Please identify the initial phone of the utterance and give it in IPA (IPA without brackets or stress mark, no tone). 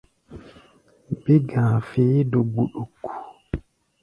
b